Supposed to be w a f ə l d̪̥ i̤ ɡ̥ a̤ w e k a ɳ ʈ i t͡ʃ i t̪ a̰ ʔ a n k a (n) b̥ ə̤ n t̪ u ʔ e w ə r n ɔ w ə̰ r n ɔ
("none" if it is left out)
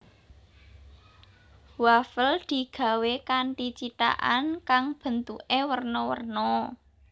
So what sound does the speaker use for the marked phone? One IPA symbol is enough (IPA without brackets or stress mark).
ŋ